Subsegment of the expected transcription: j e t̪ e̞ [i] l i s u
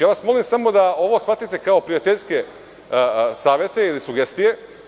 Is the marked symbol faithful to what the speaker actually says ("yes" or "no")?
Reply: yes